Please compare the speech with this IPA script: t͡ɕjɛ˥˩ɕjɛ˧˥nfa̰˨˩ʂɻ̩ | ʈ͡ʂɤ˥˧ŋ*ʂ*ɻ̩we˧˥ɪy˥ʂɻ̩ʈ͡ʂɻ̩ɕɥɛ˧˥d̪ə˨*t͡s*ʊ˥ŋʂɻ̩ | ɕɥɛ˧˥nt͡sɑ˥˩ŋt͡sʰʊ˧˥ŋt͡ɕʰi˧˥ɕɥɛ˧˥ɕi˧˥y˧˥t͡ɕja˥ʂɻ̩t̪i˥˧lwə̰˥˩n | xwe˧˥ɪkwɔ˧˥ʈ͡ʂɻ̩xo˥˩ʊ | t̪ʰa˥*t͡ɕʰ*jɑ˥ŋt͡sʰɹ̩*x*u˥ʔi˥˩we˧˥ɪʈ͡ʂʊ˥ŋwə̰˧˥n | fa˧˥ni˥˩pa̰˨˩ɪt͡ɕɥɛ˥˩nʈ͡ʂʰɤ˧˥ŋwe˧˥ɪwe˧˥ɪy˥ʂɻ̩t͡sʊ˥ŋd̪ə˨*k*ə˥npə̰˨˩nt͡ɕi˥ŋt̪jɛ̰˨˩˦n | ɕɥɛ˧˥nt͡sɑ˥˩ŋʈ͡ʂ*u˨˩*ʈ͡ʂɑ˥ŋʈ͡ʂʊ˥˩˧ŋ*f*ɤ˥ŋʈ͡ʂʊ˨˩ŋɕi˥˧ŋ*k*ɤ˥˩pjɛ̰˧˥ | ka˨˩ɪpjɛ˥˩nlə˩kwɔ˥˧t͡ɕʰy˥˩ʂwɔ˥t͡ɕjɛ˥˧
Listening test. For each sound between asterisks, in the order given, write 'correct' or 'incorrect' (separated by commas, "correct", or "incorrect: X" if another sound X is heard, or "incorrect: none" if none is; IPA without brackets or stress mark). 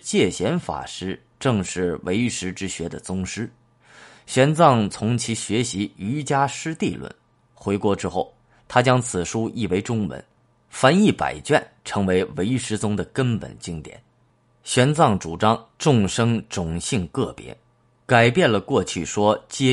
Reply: correct, correct, incorrect: t͡ɕ, incorrect: ʂ, correct, correct, incorrect: ʂ, correct